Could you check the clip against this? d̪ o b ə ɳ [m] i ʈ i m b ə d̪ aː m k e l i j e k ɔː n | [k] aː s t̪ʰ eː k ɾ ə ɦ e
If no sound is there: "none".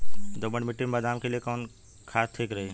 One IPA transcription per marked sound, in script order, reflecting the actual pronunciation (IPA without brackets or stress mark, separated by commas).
m, kʰ